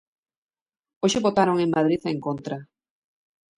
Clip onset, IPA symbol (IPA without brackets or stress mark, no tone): o